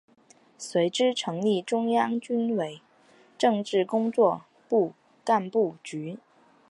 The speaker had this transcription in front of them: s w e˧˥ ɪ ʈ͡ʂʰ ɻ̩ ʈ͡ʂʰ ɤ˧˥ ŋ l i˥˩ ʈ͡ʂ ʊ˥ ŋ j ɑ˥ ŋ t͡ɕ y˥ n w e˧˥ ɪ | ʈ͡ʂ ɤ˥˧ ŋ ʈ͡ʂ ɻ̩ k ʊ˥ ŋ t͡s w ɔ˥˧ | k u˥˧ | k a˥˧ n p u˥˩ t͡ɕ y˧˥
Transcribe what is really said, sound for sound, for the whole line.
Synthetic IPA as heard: s w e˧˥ ɪ ʈ͡ʂ ɻ̩ ʈ͡ʂʰ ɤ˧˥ ŋ l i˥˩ ʈ͡ʂ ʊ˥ ŋ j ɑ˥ ŋ t͡ɕ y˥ n w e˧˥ ɪ | ʈ͡ʂ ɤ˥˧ ŋ ʈ͡ʂ ɻ̩ k ʊ˥ ŋ t͡s w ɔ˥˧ | p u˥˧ | k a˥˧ n p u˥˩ t͡ɕ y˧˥